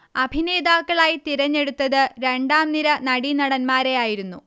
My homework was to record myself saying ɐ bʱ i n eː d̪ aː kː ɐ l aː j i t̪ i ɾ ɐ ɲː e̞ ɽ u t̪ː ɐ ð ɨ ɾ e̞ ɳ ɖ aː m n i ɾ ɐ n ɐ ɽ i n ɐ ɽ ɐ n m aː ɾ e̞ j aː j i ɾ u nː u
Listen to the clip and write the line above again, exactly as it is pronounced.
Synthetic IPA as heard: ɐ bʱ i n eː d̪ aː kː ɐ ɭ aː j i t̪ i ɾ ɐ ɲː e̞ ɽ u t̪ː ɐ ð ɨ ɾ e̞ ɳ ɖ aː m n i ɾ ɐ n ɐ ɽ i n ɐ ɽ ɐ n m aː ɾ e̞ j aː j i ɾ u nː u

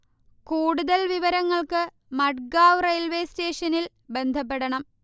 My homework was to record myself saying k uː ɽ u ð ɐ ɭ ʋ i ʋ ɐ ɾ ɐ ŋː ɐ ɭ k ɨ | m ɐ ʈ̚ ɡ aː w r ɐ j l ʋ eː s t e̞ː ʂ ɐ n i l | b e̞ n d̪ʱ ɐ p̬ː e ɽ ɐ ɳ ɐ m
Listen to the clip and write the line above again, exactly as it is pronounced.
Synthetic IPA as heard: k uː ɽ u ð ɐ l ʋ i ʋ ɐ ɾ ɐ ŋː ɐ ɭ k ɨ | m ɐ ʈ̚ ɡ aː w r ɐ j l ʋ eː s t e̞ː ʂ ɐ n i l | b e̞ n d̪ʱ ɐ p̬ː e ɽ ɐ ɳ ɐ m

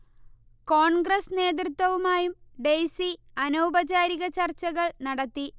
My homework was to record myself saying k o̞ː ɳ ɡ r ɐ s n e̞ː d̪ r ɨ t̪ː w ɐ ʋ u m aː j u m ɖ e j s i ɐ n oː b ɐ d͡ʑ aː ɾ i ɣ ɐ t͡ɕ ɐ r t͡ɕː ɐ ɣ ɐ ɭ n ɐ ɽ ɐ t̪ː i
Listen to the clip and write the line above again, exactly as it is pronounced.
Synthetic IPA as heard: k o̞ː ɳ ɡ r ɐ s n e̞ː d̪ r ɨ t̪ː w ɐ ʋ u m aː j u m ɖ e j s i ɐ n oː b ɐ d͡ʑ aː ɾ i ɣ ɐ t͡ɕ ɐ r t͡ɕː ɐ ɣ ɐ ɭ n ɐ ɽ ɐ t̪ː i

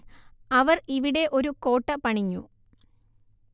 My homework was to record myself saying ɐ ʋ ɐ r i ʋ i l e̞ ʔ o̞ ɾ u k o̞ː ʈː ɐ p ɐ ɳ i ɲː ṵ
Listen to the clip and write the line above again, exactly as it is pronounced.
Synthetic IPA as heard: ɐ ʋ ɐ r i ʋ i ɽ e̞ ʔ o̞ ɾ u k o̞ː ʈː ɐ p ɐ ɳ i ɲː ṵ

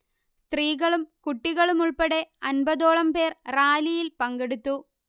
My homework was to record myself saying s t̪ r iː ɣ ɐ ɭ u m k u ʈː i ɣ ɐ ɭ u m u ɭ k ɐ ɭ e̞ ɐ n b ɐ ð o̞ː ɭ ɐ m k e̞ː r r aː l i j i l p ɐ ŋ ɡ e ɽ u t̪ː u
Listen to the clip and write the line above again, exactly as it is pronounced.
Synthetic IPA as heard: s t̪ r iː ɣ ɐ ɭ u m k u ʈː i ɣ ɐ ɭ u m u ɭ p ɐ ɽ e̞ ɐ n b ɐ ð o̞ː ɭ ɐ m p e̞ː r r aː l i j i l p ɐ ŋ ɡ e ɽ u t̪ː u

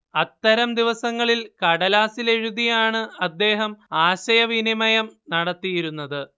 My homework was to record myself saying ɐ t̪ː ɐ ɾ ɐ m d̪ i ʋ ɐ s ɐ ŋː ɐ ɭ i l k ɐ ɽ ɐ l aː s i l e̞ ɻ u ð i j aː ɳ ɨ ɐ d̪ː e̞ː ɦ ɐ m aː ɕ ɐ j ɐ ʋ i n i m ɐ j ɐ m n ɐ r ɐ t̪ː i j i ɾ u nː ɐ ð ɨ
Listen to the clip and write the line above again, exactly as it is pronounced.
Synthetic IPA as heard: ɐ t̪ː ɐ ɾ ɐ m d̪ i ʋ ɐ s ɐ ŋː ɐ ɭ i l k ɐ ɽ ɐ l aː s i l e̞ ɻ u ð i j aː ɳ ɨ ɐ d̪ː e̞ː ɦ ɐ m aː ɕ ɐ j ɐ ʋ i n i m ɐ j ɐ m n ɐ ɽ ɐ t̪ː i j i ɾ u nː ɐ ð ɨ

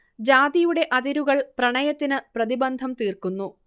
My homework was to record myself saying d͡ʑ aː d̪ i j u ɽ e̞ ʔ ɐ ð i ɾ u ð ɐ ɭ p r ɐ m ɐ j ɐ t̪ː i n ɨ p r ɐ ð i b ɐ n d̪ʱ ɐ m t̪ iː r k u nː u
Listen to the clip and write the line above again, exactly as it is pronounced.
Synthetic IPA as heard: d͡ʑ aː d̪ i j u ɽ e̞ ʔ ɐ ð i ɾ u ɣ ɐ ɭ p r ɐ ɳ ɐ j ɐ t̪ː i n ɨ p r ɐ ð i b ɐ n d̪ʱ ɐ m t̪ iː r k u nː u

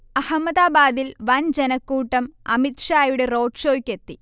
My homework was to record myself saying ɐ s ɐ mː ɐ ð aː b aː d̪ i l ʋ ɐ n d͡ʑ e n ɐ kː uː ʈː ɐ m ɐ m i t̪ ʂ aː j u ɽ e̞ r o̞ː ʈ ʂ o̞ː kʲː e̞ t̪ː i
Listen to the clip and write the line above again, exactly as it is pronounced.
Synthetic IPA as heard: ɐ h ɐ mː ɐ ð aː b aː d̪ i l ʋ ɐ n d͡ʑ e n ɐ kː uː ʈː ɐ m ɐ m i t̪ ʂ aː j u ɽ e̞ r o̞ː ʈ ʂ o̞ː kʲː e̞ t̪ː i

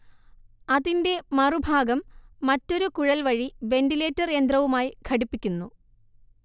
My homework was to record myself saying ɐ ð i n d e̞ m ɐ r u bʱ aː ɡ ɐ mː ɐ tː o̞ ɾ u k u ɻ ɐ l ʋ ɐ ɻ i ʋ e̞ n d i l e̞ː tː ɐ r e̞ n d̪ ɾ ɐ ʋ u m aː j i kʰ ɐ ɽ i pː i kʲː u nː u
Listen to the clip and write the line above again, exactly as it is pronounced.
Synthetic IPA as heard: ɐ ð i n d e̞ m ɐ r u bʱ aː ɡ ɐ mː ɐ tː o̞ ɾ u k u ɻ ɐ l ʋ ɐ ɻ i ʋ e̞ n d i l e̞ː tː ɐ r e̞ n d̪ r ɐ ʋ u m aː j i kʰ ɐ ɽ i pː i kʲː u nː u

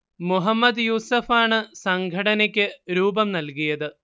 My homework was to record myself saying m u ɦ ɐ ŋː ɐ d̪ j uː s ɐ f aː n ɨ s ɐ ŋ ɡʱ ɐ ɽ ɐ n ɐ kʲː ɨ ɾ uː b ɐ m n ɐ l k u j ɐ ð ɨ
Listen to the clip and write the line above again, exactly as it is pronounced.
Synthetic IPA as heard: m u ɦ ɐ mː ɐ d̪ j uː s ɐ f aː ɳ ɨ s ɐ ŋ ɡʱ ɐ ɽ ɐ n ɐ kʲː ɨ ɾ uː b ɐ m n ɐ l k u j ɐ ð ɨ

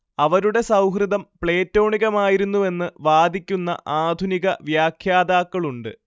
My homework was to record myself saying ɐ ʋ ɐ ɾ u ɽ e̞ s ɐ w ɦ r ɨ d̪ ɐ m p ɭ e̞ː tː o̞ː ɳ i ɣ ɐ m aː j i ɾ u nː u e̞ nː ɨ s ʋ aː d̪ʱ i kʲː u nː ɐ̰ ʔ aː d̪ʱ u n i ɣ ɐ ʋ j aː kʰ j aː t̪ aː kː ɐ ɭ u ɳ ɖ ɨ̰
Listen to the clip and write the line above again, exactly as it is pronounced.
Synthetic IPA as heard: ɐ ʋ ɐ ɾ u ɽ e̞ s ɐ w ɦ r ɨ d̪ ɐ m p ɭ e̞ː tː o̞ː ɳ i ɣ ɐ m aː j i ɾ u nː u e̞ nː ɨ ʋ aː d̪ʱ i kʲː u nː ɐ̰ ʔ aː d̪ʱ u n i ɣ ɐ ʋ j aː kʰ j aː d̪ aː kː ɐ ɭ u ɳ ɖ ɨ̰

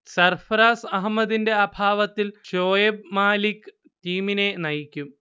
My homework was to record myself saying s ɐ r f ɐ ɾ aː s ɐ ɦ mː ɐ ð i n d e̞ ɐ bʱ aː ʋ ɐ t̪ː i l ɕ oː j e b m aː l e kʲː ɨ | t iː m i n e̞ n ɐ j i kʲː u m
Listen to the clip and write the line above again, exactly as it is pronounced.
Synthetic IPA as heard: s ɐ r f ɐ ɾ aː s ɐ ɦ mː ɐ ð i n d e̞ ɐ bʱ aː ʋ ɐ t̪ː i l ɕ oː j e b m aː l i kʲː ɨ | t iː m i n e̞ n ɐ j i kʲː u m

